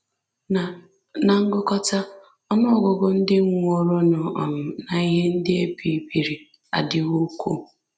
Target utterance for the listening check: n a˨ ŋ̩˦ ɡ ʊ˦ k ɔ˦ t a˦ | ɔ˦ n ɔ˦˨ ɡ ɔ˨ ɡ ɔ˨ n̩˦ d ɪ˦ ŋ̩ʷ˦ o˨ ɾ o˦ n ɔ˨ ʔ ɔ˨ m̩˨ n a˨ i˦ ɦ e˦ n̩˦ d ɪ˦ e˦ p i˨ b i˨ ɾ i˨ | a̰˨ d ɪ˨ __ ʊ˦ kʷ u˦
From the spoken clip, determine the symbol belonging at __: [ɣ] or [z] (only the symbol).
ɣ